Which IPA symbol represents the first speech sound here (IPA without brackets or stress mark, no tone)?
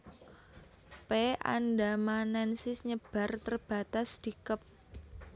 p